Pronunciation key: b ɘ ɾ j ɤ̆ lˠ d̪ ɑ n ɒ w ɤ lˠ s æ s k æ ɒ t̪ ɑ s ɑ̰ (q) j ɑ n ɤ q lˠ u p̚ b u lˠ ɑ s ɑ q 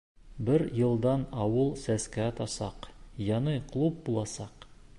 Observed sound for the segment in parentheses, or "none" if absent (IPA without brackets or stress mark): q